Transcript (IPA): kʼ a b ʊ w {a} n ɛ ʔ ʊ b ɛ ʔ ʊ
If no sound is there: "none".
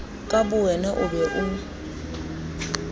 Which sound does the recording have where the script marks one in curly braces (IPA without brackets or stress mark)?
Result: ɛ